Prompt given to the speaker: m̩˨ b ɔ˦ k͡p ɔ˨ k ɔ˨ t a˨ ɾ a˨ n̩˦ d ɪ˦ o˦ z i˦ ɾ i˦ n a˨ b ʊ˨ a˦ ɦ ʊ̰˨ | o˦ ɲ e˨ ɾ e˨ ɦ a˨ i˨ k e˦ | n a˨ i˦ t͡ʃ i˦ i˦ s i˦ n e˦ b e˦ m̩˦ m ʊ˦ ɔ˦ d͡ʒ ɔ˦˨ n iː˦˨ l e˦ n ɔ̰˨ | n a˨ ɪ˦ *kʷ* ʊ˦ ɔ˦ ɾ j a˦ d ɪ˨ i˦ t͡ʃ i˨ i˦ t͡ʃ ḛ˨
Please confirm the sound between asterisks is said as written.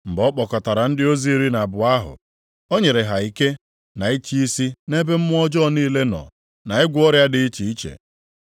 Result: no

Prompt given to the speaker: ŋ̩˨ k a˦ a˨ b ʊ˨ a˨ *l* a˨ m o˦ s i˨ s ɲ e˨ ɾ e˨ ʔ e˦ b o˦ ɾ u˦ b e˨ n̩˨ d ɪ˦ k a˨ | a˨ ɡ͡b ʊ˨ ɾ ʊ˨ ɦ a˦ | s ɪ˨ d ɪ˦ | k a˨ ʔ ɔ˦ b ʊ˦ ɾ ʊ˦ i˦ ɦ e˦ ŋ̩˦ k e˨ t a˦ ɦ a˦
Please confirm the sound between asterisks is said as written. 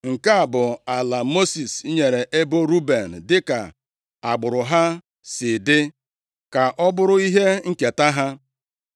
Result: yes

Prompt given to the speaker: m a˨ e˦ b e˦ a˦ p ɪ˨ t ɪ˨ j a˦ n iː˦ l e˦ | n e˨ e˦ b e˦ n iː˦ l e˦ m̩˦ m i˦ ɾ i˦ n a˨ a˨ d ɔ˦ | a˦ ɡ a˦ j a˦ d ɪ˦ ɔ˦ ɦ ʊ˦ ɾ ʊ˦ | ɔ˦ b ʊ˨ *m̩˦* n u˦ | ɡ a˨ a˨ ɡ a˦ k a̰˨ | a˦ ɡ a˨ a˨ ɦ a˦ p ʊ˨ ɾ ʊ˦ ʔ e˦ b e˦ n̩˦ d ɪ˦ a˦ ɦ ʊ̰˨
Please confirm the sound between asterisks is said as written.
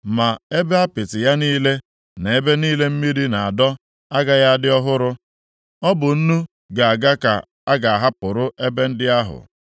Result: no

